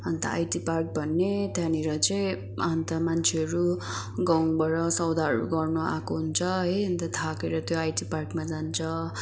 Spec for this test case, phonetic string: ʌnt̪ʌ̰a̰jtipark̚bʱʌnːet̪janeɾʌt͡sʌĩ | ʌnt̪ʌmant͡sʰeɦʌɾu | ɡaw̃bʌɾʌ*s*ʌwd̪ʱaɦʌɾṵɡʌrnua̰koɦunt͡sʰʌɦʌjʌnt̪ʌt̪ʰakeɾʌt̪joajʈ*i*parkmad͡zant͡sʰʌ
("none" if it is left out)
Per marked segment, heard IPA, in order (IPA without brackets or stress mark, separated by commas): s, i